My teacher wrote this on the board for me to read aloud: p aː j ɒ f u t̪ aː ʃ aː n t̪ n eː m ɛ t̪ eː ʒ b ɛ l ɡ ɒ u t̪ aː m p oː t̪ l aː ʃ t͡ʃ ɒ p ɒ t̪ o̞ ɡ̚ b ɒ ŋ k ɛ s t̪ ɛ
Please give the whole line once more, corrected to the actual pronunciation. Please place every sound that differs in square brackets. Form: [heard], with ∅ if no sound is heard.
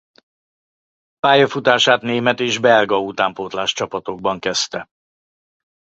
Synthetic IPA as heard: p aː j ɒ f u t̪ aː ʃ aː [∅] t̪ n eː m ɛ t̪ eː ʒ b ɛ l ɡ ɒ u t̪ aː m p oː t̪ l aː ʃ t͡ʃ ɒ p ɒ t̪ o̞ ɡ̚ b ɒ ŋ k ɛ s t̪ ɛ